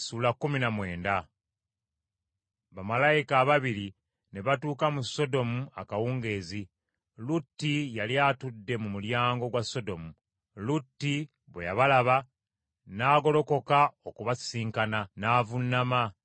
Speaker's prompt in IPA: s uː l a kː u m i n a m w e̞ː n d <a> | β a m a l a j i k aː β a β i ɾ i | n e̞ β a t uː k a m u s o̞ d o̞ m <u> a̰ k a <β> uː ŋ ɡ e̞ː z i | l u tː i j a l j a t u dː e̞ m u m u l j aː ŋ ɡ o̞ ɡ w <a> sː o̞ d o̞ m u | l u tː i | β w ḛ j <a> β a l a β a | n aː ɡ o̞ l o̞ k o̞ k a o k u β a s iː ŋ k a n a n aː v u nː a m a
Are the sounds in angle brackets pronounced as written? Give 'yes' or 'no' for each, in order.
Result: yes, yes, no, yes, yes

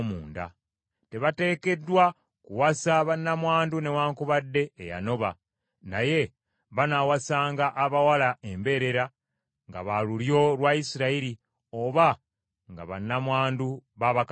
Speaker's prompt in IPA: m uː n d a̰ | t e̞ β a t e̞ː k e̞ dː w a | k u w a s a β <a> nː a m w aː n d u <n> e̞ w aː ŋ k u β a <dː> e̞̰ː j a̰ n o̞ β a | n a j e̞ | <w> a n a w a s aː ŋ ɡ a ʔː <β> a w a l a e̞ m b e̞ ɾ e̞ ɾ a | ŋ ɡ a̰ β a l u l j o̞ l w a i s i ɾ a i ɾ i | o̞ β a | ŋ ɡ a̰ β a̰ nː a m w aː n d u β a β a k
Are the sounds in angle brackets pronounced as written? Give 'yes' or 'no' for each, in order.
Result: yes, yes, yes, no, yes

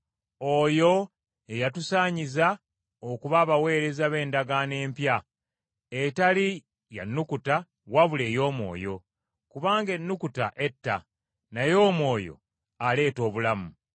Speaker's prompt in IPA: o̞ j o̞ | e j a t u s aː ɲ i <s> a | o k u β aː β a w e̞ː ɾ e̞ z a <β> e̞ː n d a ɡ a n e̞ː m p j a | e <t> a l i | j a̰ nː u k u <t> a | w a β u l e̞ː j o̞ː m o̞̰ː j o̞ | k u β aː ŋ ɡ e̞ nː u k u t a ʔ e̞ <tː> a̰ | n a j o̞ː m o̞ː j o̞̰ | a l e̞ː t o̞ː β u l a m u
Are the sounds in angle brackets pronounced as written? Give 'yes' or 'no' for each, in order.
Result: no, yes, yes, yes, yes

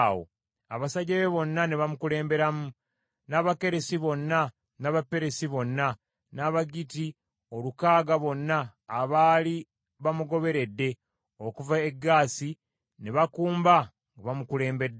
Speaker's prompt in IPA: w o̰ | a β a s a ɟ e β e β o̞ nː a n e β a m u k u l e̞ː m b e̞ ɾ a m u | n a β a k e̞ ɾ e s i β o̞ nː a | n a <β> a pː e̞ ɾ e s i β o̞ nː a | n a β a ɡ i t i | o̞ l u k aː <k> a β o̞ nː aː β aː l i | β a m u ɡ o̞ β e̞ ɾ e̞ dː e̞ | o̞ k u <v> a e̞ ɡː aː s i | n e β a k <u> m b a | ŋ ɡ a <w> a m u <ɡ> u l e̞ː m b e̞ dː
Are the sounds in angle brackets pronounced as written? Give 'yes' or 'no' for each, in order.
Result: yes, no, yes, no, no, no

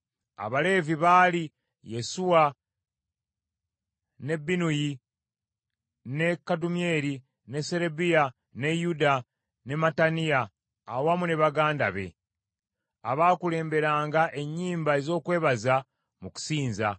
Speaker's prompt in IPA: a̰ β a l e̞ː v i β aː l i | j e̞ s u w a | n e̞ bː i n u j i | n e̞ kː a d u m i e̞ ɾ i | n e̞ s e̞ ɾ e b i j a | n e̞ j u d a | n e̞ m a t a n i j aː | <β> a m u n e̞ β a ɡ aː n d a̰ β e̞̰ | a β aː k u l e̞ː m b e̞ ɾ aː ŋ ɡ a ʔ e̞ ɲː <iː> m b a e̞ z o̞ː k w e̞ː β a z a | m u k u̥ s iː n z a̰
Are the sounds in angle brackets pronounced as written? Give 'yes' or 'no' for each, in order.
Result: no, yes

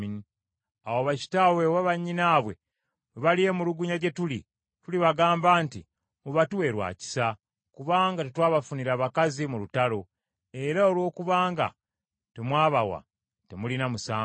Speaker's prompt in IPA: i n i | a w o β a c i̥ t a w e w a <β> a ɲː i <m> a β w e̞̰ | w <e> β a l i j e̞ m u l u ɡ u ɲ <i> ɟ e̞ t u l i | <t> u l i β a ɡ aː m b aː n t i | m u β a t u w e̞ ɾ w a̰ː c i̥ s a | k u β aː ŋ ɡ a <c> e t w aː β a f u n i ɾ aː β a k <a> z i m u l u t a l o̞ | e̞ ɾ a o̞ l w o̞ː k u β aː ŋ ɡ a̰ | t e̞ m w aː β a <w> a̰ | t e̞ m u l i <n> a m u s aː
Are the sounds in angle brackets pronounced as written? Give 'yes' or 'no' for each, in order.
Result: yes, no, yes, no, yes, no, yes, yes, yes

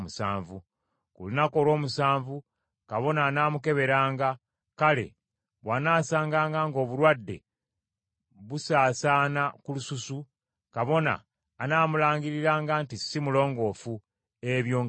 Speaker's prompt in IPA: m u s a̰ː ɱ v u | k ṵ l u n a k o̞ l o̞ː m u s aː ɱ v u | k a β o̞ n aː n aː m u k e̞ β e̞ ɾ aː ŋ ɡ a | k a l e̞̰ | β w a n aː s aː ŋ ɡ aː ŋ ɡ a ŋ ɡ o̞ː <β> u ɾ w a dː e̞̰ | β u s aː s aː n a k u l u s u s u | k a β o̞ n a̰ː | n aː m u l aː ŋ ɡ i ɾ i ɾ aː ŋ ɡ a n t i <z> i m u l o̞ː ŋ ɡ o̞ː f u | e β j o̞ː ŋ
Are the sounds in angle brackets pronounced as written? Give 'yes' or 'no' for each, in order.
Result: yes, no

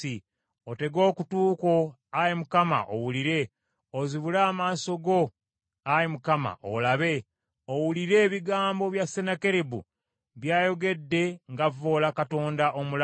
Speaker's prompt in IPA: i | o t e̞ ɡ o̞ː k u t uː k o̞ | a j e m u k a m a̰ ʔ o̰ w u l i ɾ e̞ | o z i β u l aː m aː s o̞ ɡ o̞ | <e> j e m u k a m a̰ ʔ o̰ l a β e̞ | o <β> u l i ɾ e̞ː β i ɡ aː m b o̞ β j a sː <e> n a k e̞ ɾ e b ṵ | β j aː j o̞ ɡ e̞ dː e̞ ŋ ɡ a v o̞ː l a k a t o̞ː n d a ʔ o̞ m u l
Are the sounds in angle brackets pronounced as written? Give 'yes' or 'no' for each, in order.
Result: no, no, yes

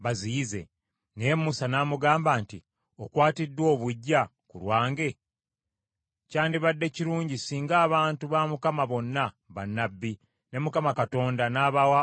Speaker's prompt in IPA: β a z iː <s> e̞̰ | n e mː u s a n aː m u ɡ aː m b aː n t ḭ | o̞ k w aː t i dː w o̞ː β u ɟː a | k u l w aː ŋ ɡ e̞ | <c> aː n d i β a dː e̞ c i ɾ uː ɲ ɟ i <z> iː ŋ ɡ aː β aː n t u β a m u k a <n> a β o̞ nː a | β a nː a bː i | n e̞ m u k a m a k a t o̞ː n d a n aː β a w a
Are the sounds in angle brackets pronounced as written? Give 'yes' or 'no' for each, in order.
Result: no, yes, no, no

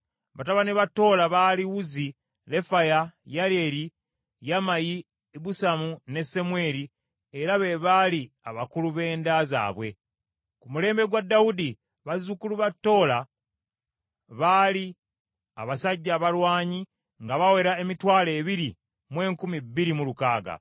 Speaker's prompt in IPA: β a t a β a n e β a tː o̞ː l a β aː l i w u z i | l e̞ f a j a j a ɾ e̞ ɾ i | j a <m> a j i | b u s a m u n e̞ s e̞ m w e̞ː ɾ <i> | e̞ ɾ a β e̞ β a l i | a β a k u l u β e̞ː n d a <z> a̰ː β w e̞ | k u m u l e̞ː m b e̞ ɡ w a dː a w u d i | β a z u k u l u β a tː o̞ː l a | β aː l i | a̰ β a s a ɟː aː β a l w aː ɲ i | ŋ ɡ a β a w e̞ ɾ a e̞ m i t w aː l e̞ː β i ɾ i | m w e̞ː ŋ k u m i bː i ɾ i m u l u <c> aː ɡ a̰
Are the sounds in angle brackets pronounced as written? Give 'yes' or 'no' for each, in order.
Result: yes, yes, yes, no

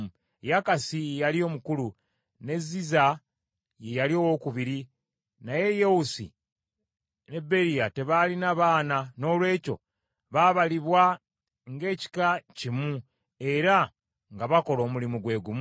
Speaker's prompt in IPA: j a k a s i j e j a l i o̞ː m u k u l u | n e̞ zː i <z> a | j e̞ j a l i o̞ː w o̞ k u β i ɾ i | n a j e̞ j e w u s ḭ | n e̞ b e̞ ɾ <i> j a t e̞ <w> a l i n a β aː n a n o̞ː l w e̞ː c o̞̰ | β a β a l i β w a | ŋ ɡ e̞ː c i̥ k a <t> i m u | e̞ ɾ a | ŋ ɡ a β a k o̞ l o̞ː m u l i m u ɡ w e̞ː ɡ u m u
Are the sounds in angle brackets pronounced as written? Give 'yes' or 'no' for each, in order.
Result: yes, yes, no, no

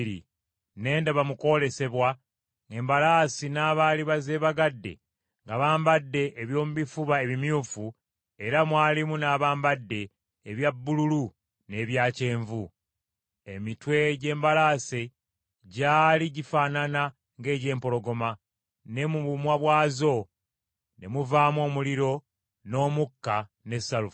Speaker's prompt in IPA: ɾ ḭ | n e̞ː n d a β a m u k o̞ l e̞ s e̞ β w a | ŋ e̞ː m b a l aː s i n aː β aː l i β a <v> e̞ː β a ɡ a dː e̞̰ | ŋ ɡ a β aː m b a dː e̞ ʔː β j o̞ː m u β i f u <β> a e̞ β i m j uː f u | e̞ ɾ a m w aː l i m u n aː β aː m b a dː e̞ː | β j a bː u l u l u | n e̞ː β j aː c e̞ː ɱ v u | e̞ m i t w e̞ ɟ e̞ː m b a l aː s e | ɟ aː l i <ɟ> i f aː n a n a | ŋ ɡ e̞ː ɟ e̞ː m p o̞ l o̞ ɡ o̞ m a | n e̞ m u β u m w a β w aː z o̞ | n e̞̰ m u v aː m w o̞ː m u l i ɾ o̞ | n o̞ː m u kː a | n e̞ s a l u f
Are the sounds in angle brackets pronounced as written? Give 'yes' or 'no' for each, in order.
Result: no, yes, yes

